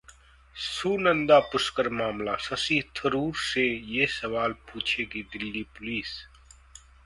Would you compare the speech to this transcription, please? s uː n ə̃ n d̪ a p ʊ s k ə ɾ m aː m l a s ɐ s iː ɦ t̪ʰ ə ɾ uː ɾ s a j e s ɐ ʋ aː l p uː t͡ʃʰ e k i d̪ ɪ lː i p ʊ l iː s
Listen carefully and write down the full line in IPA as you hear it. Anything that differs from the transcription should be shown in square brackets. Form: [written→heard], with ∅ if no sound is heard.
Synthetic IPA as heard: s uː n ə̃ n d̪ a p ʊ s k ə ɾ m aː m l a s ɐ s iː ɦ t̪ʰ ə ɾ uː ɾ s [a→e] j e s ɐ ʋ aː l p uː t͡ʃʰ e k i d̪ ɪ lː i p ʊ l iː s